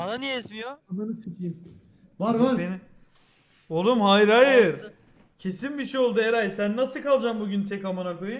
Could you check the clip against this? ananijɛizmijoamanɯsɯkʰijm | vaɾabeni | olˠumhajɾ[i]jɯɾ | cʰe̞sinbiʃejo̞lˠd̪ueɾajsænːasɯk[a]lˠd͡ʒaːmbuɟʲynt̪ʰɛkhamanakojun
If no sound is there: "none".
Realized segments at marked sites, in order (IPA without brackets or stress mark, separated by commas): a, a